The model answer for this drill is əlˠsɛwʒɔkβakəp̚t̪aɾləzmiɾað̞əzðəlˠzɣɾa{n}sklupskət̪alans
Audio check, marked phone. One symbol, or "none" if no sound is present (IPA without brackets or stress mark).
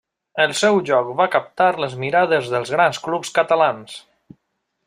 n